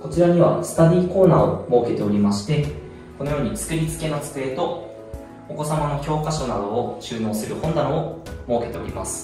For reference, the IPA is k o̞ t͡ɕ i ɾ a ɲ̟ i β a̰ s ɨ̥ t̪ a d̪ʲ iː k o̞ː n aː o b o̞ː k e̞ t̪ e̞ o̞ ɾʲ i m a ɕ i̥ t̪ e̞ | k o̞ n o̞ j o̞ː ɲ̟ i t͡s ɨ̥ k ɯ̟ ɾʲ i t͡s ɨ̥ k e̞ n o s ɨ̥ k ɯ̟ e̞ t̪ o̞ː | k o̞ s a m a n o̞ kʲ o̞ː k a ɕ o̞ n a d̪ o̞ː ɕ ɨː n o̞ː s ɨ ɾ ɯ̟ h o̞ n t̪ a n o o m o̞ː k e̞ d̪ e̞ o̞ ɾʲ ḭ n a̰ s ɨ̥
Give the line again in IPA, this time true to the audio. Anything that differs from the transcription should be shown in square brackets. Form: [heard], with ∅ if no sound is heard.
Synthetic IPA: k o̞ t͡ɕ i ɾ a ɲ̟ i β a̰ s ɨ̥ t̪ a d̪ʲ iː k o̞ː n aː o [m] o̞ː k e̞ t̪ e̞ o̞ ɾʲ i m a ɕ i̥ t̪ e̞ | k o̞ n o̞ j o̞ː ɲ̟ i t͡s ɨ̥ k ɯ̟ ɾʲ i t͡s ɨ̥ k e̞ n o [t͡s] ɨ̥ k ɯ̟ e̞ t̪ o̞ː | k o̞ s a m a n o̞ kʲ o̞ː k a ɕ o̞ n a d̪ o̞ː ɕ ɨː n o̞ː s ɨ ɾ ɯ̟ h [õ̞] n [d̪] a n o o m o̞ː k e̞ [t̪] e̞ o̞ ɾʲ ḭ [m] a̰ s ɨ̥

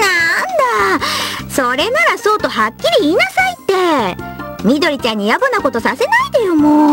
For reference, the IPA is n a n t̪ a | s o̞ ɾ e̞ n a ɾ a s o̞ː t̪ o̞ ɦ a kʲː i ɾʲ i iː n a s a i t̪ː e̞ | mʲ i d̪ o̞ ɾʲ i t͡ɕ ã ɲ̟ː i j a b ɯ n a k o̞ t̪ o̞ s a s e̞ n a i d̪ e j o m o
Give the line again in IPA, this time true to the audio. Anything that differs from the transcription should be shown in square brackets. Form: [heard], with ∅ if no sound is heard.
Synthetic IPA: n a n [d̪] a | s o̞ ɾ e̞ n a ɾ a s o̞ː t̪ o̞ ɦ a kʲː i ɾʲ i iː n a s a i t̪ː e̞ | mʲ i d̪ o̞ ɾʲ i t͡ɕ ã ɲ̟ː i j a b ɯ n a k o̞ t̪ o̞ s a s e̞ n a i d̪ e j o m o

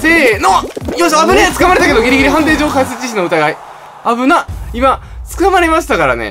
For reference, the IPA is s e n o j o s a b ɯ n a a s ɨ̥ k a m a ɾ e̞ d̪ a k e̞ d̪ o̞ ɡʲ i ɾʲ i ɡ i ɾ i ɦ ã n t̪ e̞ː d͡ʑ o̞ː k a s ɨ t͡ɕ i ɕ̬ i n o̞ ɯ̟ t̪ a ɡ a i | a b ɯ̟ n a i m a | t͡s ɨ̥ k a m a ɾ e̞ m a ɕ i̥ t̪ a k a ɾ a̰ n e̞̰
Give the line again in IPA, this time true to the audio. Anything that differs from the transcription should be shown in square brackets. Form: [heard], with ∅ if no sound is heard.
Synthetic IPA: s e n o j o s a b ɯ n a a [t͡s] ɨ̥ k a m a ɾ e̞ [t̪] a k e̞ d̪ o̞ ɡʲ i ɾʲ i ɡ i ɾ i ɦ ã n t̪ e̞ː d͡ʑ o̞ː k a s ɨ t͡ɕ i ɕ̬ i n o̞ ɯ̟ t̪ a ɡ a i | a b ɯ̟ n a i m a | t͡s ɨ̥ k a m a ɾ e̞ m a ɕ i̥ t̪ a k a ɾ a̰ n e̞̰

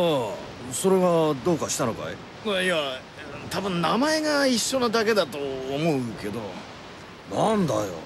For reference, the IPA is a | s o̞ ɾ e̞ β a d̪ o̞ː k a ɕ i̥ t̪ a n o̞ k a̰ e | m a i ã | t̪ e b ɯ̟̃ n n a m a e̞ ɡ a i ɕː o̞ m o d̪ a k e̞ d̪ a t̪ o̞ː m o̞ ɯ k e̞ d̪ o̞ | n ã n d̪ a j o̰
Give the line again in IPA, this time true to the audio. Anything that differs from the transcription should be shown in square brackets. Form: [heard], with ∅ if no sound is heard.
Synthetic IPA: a | s o̞ ɾ e̞ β a d̪ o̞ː k a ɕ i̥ t̪ a n o̞ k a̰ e | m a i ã | t̪ [a] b ɯ̟̃ n n a m a e̞ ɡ a i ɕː o̞ [n] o d̪ a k e̞ d̪ a t̪ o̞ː m o̞ ɯ k e̞ d̪ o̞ | n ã n d̪ a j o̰

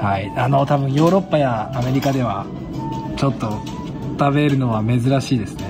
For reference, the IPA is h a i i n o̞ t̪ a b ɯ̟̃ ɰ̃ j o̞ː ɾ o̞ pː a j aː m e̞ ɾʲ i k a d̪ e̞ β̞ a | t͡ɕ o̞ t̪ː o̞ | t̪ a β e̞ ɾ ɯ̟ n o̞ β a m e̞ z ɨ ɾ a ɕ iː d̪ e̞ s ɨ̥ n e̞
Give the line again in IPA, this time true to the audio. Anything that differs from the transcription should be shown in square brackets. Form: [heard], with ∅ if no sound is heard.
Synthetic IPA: h a i [a] n o̞ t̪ a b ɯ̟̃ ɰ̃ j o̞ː ɾ o̞ pː a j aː m e̞ ɾʲ i k a d̪ e̞ β̞ a | t͡ɕ o̞ t̪ː o̞ | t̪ a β e̞ ɾ ɯ̟ n o̞ β a m e̞ z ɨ ɾ a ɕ iː d̪ e̞ s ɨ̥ n e̞

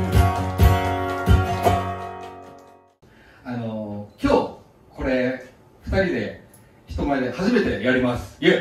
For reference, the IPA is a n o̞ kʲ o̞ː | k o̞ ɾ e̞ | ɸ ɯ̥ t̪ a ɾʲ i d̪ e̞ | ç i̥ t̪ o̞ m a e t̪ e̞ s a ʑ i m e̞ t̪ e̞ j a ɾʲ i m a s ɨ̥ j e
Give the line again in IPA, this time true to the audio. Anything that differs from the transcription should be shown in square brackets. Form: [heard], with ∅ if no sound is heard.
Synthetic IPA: a n o̞ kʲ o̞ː | k o̞ ɾ e̞ | ɸ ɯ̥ t̪ a ɾʲ i d̪ e̞ | ç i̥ t̪ o̞ m a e [d̪] e̞ [h] a ʑ i m e̞ t̪ e̞ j a ɾʲ i m a s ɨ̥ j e

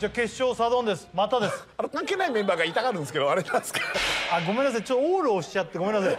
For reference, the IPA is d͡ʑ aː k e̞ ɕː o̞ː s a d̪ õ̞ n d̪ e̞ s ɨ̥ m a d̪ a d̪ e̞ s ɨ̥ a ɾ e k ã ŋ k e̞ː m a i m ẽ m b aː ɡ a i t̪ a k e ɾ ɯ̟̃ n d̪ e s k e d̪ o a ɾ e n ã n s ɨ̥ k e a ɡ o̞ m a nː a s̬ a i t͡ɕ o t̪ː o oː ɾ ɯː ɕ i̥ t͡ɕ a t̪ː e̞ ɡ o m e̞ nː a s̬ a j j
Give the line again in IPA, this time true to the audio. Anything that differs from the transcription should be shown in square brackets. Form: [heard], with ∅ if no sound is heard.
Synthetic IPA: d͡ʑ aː k e̞ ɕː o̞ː s a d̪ õ̞ n d̪ e̞ s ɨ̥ m a [t̪] a d̪ e̞ s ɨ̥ a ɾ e k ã ŋ k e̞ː [n] a i m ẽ m b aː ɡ a i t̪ a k [a] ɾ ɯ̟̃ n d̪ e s k e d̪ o a ɾ e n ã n s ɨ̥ k [a] a ɡ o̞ m [e] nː a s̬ a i t͡ɕ o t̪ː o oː ɾ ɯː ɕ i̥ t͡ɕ a t̪ː e̞ ɡ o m e̞ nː a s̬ a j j

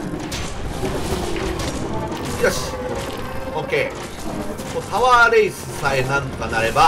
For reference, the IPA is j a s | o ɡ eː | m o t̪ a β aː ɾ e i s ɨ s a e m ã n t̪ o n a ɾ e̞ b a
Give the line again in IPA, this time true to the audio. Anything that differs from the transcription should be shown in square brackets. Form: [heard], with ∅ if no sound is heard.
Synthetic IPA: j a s | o [k] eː | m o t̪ a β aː ɾ e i s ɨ s a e [n] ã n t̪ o n a ɾ e̞ b a

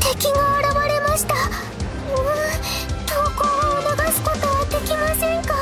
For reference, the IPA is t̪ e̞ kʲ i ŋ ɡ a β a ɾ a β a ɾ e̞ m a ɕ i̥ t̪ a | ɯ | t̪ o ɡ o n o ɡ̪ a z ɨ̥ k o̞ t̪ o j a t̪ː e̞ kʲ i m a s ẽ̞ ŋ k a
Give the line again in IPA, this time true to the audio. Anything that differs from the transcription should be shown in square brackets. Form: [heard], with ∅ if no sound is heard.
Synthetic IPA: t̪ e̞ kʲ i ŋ ɡ a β a ɾ a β a ɾ e̞ m a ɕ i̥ t̪ a | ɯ | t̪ o [k] o n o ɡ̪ a [s] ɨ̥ k o̞ t̪ o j a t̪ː e̞ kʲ i m a s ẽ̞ ŋ k a

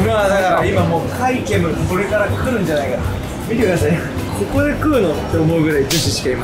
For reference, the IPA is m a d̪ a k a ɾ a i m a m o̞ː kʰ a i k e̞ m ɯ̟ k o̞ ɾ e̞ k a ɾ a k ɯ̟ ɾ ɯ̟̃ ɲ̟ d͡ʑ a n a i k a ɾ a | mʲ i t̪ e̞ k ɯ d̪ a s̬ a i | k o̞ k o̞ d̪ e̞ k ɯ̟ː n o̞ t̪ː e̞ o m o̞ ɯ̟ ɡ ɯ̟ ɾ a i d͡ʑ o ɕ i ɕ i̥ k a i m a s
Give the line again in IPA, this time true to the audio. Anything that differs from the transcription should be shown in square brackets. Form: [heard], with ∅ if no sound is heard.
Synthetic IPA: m a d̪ a k a ɾ a i m a m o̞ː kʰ a i k e̞ m ɯ̟ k o̞ ɾ e̞ k a ɾ a k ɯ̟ ɾ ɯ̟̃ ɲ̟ d͡ʑ a n a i k a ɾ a | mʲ i t̪ e̞ k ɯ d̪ a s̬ a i | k o̞ k o̞ d̪ e̞ k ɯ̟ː n o̞ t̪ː e̞ o m o̞ ɯ̟ ɡ ɯ̟ ɾ a i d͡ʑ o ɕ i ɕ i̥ k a i m a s

